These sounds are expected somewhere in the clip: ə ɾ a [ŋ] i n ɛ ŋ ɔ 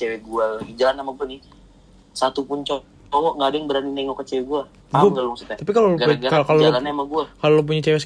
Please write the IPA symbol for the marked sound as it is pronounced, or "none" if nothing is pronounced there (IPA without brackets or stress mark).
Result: n